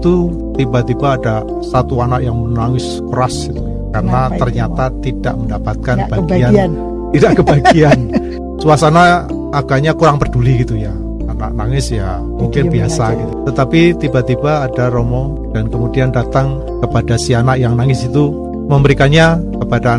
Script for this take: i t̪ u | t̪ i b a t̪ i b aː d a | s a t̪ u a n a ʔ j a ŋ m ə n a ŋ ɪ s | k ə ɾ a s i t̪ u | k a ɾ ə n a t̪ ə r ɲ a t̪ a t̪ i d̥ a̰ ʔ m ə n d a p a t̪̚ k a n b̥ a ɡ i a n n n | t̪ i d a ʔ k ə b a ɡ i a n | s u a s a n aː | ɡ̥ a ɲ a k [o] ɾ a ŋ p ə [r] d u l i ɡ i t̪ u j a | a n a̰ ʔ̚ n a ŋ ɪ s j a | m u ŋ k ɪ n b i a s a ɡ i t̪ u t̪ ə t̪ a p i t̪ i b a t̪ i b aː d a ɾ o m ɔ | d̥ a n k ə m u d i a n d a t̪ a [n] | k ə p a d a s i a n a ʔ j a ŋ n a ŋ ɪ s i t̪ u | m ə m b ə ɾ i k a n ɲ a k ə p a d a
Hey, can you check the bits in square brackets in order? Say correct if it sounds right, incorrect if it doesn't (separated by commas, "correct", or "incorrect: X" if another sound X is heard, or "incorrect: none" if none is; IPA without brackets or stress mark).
incorrect: u, correct, incorrect: ŋ